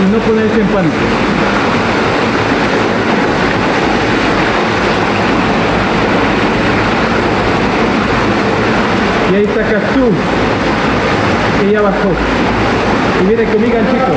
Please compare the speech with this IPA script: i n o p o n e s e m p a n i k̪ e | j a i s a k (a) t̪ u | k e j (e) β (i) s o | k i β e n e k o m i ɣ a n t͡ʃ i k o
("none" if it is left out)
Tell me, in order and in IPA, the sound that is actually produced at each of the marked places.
a, a, a

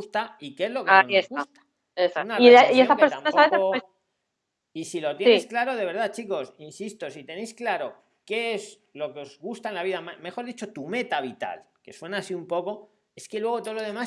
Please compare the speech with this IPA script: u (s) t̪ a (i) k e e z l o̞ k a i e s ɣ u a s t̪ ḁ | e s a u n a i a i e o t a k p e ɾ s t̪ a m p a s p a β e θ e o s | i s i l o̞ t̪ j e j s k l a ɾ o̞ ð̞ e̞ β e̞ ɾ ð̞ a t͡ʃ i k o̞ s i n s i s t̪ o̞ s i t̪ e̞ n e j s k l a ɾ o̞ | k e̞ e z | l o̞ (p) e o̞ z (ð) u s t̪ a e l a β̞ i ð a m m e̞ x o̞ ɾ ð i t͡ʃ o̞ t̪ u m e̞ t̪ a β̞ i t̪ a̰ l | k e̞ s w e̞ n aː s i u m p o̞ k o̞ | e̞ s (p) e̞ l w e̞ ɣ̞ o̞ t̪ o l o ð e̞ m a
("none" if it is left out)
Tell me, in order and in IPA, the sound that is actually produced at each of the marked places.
s, i, k, ɣ, k

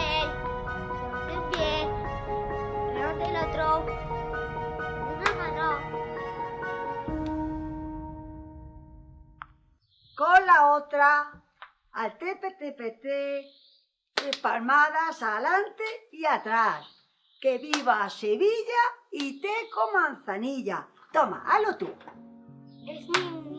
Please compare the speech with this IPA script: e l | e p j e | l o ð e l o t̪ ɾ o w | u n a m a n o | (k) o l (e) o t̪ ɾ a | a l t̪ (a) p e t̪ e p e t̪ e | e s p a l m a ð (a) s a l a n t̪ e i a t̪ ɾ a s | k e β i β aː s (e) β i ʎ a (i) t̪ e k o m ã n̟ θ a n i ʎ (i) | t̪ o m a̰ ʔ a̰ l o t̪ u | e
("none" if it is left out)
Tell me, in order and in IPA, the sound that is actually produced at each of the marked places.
k, a, e, a, e, i, a

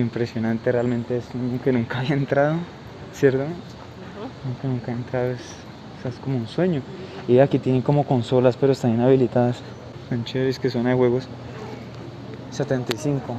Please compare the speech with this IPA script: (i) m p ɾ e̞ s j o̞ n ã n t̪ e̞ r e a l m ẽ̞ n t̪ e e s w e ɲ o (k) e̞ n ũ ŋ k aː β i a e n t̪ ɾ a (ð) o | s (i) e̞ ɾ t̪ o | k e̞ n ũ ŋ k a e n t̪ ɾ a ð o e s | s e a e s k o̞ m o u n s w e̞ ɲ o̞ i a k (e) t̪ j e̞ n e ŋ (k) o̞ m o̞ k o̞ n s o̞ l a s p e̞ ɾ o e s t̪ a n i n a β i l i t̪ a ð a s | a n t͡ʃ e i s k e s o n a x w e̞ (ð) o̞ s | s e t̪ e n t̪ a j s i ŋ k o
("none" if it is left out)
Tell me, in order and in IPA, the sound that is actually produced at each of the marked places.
i, k, ð, j, i, k, ɣ

